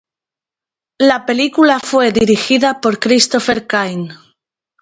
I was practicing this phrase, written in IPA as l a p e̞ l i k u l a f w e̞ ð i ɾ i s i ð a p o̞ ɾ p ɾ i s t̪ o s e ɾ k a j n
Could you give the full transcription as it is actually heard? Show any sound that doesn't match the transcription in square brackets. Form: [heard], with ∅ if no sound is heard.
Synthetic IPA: l a p e̞ l i k u l a f w e̞ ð i ɾ i [x] i ð a p o̞ ɾ [k] ɾ i s t̪ o [f] e ɾ k a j n